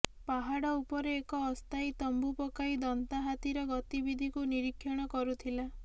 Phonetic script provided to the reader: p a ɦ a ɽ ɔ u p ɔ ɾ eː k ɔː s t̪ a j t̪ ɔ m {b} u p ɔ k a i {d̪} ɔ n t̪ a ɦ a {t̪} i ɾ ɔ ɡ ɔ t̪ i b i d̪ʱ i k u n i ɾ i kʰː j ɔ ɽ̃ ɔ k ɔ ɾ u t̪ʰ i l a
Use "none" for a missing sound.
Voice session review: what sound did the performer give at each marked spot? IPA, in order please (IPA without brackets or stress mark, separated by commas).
b, d̪, t̪